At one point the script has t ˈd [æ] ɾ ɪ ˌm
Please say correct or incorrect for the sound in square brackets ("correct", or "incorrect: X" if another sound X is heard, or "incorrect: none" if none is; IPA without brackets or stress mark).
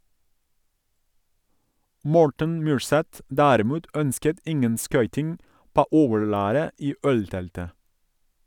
incorrect: æː